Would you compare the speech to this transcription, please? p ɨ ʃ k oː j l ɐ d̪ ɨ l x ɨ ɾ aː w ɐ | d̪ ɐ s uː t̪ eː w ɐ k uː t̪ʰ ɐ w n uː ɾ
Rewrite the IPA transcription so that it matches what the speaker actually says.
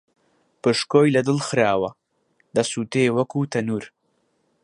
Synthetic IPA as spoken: p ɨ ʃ k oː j l ɐ d̪ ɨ l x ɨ ɾ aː w ɐ | d̪ ɐ s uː t̪ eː w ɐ k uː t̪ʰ ɐ n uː ɾ